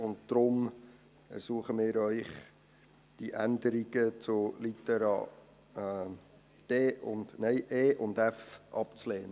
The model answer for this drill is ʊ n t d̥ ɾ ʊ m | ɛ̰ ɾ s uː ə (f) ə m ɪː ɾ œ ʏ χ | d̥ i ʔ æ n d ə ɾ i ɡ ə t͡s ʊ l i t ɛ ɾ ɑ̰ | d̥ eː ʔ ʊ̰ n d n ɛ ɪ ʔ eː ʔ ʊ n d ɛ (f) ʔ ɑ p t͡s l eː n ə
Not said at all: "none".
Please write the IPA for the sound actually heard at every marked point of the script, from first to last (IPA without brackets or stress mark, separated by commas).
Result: χ, f